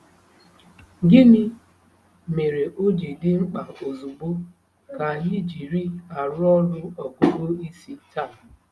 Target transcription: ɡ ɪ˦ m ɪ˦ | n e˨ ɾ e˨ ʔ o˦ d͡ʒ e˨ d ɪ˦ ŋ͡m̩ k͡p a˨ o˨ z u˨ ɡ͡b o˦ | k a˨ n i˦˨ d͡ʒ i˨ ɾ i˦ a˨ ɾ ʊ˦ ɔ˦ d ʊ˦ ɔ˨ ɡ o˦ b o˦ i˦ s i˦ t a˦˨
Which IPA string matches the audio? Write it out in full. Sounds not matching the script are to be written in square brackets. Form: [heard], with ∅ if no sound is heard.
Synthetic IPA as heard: ɡ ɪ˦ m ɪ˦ | [m] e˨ ɾ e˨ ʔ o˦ d͡ʒ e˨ d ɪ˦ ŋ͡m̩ k͡p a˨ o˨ z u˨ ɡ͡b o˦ | k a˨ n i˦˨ d͡ʒ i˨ ɾ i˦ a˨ ɾ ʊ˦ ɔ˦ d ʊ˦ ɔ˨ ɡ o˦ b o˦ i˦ s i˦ t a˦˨